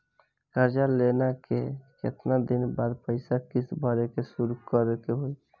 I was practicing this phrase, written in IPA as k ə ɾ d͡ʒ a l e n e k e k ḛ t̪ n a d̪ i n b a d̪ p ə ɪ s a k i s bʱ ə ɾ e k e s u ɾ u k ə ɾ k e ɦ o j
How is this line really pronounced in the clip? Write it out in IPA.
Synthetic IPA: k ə ɾ d͡ʒ a l e n a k e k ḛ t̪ n a d̪ i n b a d̪ p ə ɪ s a k i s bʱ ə ɾ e k e s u ɾ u k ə ɾ k e ɦ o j